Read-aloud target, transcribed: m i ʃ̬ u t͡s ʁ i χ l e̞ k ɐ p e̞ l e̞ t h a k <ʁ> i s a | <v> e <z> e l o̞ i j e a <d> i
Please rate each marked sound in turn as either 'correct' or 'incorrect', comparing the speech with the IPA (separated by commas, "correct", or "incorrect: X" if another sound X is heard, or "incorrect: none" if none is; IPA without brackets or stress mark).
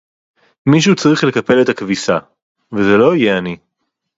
incorrect: v, correct, correct, incorrect: n